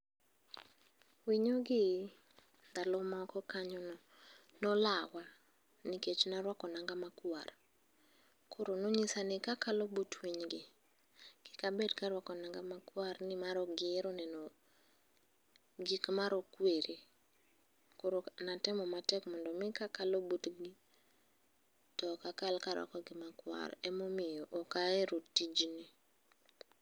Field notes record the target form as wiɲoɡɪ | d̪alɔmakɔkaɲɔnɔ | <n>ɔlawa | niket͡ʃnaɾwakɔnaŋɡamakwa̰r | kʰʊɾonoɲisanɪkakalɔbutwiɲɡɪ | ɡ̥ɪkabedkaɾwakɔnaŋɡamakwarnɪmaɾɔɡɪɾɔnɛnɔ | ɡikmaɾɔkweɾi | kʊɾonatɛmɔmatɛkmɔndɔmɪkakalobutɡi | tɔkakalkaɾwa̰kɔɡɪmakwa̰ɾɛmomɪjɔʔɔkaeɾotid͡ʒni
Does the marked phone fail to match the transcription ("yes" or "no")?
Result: no